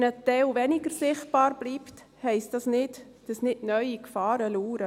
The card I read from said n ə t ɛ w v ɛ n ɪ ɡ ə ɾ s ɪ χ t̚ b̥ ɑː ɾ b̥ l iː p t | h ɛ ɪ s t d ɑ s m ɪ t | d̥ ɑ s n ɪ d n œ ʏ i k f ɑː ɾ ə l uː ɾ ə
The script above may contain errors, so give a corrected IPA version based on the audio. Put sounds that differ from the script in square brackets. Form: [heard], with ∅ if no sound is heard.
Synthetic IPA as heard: n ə t ɛ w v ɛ n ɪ ɡ ə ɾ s ɪ χ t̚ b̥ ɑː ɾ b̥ l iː p t | h ɛ ɪ s t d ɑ s [n] ɪ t | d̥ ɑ s n ɪ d n œ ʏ i k f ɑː ɾ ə l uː ɾ ə